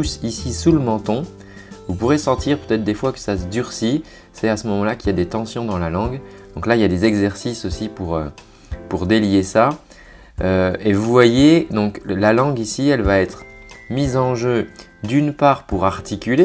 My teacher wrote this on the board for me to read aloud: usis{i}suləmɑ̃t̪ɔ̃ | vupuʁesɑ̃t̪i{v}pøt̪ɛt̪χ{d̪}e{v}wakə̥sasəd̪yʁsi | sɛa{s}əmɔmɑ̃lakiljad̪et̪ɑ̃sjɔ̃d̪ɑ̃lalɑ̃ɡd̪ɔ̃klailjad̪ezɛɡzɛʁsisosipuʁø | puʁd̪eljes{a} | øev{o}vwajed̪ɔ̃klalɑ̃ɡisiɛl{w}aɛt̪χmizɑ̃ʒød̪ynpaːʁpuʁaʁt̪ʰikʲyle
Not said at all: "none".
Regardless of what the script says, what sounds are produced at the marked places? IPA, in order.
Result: i, ʁ, d̪, f, s, a, u, v

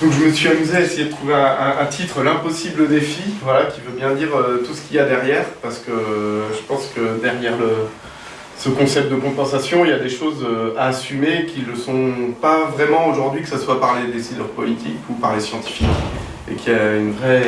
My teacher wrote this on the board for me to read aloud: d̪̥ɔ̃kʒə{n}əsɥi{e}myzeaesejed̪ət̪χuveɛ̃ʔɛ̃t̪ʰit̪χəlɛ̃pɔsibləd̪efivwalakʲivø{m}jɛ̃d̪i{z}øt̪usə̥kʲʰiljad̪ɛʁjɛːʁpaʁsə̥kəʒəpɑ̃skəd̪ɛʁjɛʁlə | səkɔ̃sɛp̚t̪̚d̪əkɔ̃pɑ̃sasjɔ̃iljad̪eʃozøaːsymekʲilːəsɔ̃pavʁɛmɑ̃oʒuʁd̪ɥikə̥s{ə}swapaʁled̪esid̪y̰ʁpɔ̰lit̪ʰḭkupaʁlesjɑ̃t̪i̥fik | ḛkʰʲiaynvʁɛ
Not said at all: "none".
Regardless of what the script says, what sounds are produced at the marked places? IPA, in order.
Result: m, a, b, ʁ, a

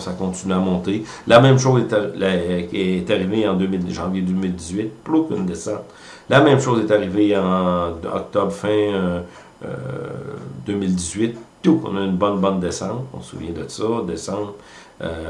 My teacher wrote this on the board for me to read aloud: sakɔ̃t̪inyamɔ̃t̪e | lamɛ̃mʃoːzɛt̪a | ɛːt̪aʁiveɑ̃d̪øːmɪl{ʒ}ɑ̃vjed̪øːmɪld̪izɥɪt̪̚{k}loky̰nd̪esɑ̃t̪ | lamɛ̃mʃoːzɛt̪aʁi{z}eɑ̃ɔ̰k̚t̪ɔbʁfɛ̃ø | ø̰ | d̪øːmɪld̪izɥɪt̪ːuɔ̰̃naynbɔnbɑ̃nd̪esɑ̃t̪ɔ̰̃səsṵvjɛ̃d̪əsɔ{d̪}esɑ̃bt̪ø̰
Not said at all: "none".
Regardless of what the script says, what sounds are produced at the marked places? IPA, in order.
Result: ʒ, p, v, d̪

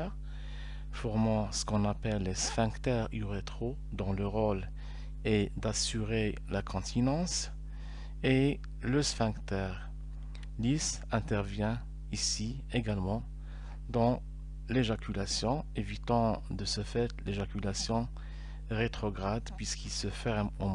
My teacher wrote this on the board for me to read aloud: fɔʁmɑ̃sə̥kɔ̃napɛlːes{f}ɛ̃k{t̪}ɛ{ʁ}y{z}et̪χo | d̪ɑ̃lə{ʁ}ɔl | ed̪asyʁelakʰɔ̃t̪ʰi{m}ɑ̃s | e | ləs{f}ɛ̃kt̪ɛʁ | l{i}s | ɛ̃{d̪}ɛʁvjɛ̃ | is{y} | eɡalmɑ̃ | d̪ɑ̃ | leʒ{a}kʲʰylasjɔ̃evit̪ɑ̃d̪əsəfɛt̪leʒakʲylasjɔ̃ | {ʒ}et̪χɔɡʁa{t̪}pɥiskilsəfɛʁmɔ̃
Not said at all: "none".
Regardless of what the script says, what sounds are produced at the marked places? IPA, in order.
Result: f, t̪, ʁ, ʁ, ʁ, n, f, i, t̪, i, a, ʁ, d̪

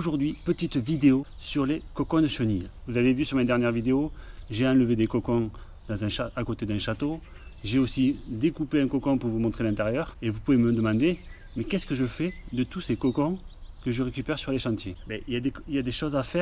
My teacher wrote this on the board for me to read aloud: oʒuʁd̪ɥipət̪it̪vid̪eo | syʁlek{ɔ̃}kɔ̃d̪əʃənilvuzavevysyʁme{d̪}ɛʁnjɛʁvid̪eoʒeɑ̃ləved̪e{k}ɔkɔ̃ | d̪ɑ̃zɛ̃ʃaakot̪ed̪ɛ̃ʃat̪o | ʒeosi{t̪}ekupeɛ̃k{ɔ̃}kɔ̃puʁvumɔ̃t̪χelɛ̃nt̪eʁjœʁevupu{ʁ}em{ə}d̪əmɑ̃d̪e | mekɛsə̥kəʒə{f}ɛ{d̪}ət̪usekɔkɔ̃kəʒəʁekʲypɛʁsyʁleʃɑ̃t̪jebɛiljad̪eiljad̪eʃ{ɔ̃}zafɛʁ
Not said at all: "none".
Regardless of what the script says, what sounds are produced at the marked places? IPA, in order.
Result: ɔ, d̪, k, d̪, ɔ, v, ə, f, d̪, ɔ

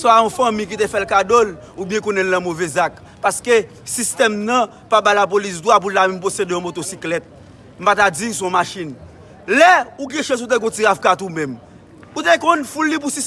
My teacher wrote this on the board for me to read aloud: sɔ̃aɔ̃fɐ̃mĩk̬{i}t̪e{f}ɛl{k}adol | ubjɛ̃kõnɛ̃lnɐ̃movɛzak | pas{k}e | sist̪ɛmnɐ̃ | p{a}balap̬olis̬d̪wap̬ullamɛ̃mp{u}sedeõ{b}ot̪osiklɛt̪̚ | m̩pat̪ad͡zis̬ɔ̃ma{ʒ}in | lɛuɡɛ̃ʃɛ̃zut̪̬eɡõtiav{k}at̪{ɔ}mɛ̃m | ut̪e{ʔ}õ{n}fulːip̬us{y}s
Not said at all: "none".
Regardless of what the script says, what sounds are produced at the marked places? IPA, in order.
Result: i, f, k, k, a, o, m, ʃ, k, u, k, n, i

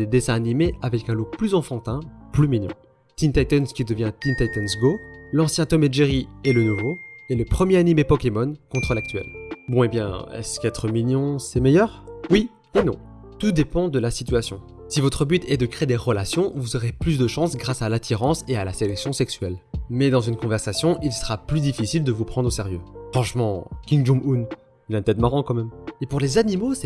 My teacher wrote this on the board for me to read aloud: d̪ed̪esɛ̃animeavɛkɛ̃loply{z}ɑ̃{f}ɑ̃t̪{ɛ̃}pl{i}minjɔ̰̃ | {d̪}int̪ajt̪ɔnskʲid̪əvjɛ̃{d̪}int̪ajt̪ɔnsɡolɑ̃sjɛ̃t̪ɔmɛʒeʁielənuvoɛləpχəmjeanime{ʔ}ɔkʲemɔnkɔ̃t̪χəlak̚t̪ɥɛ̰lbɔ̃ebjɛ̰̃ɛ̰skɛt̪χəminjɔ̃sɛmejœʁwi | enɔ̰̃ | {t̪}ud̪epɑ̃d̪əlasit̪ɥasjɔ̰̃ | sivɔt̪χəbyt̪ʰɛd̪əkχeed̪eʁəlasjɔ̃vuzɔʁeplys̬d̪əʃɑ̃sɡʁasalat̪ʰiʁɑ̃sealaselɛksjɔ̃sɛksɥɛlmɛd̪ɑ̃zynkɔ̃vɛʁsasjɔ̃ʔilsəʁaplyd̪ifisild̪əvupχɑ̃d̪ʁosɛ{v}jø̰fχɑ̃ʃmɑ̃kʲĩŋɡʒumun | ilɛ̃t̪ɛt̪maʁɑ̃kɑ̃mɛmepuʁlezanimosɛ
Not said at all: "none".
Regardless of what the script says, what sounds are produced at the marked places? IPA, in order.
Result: z, f, ɛ̃, y, t̪, t̪, p, t̪, ʁ

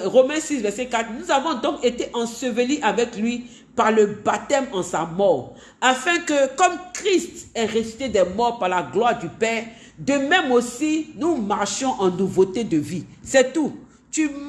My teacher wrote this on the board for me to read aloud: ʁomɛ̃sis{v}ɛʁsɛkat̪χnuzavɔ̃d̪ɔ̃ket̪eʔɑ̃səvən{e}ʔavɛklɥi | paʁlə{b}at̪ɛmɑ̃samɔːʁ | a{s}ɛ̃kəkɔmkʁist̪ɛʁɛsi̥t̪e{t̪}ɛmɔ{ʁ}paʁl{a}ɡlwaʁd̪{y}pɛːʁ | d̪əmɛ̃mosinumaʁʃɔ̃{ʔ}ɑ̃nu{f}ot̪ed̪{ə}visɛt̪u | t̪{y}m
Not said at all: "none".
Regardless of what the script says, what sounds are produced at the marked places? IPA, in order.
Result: v, i, b, f, d̪, ʁ, a, y, ʔ, v, ə, y

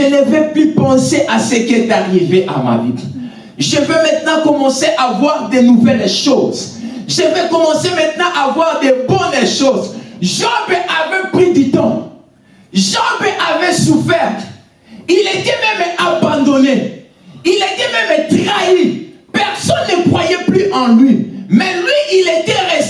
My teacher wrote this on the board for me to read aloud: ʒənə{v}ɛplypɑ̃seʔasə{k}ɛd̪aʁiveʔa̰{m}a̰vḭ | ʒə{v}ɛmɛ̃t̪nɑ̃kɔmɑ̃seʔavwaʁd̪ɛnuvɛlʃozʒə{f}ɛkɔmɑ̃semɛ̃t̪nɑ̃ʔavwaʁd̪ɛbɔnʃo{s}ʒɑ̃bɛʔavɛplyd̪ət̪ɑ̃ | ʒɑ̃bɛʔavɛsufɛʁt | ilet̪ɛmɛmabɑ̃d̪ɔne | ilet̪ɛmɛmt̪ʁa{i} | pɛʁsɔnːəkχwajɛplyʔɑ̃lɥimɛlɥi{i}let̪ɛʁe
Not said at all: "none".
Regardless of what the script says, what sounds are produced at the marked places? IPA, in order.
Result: v, k, m, v, v, z, i, i

